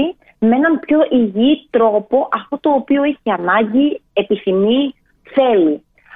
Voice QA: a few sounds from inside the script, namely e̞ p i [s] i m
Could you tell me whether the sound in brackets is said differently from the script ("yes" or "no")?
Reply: yes